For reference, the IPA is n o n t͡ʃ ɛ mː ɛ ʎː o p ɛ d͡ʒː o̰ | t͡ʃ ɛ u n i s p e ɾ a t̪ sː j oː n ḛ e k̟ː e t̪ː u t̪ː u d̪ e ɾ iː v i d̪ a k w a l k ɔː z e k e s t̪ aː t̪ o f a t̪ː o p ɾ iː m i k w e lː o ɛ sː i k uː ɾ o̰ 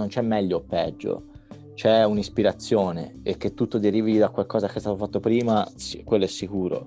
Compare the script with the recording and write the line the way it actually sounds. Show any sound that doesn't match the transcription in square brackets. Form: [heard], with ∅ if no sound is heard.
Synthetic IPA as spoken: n o n t͡ʃ ɛ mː ɛ ʎː o p ɛ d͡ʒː o̰ | t͡ʃ ɛ u n i s p [i] ɾ a t̪ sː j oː n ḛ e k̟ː e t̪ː u t̪ː [o] d̪ e ɾ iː v i d̪ a k w a l k ɔː z [a] k e s t̪ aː t̪ o f a t̪ː o p ɾ iː m [a] k w e lː o ɛ sː i k uː ɾ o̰